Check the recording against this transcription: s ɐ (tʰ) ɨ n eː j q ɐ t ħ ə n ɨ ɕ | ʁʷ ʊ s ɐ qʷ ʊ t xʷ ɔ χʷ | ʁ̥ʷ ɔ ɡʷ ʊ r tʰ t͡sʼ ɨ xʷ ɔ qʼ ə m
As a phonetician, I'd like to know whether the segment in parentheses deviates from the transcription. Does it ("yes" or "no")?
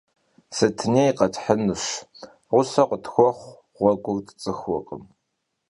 no